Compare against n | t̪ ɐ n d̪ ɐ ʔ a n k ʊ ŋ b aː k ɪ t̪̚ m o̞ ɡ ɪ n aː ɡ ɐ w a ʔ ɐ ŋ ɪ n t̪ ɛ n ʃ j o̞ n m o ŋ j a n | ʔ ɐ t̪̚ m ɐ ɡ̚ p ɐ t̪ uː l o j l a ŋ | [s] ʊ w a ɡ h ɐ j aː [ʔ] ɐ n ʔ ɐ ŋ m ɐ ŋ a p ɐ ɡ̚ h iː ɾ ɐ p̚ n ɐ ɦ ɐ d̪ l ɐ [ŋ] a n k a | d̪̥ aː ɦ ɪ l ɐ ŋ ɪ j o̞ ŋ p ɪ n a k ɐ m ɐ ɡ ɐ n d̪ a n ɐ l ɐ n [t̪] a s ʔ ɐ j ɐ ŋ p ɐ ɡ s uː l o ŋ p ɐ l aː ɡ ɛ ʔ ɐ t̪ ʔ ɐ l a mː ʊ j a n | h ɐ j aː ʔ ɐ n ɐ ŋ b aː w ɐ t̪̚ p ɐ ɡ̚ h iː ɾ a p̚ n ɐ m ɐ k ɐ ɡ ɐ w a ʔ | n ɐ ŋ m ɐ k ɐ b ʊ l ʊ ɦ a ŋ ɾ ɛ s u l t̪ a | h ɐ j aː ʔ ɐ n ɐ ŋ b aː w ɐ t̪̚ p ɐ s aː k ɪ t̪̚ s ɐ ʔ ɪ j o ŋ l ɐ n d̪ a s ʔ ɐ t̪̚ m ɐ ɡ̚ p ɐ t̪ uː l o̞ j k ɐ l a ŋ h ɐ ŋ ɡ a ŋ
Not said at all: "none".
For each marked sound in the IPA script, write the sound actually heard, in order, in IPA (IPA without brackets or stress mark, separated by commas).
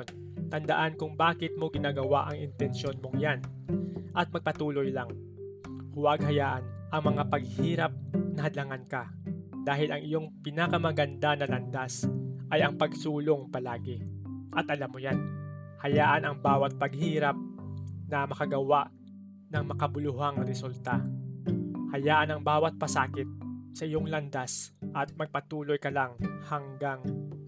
h, ʔ, ŋ, d̪